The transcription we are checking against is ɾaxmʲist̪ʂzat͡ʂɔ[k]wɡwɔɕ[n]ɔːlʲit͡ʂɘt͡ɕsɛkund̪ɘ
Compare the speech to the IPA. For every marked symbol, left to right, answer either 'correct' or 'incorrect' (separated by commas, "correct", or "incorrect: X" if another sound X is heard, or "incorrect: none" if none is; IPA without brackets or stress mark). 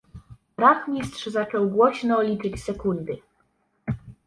incorrect: none, correct